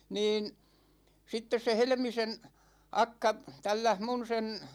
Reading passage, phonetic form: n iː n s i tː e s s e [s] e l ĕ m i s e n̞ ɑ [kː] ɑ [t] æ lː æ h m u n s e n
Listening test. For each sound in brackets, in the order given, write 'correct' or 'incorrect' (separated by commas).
incorrect, correct, correct